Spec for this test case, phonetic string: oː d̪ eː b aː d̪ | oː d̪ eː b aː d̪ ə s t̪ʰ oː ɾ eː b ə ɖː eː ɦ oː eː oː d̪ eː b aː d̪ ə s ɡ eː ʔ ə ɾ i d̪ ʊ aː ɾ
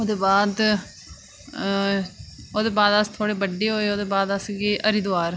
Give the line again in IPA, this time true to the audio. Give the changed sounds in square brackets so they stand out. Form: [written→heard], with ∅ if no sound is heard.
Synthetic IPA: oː d̪ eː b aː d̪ | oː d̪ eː b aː d̪ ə s t̪ʰ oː [ɾ→ɽ] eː b ə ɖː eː ɦ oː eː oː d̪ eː b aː d̪ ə s ɡ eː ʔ ə ɾ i d̪ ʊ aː ɾ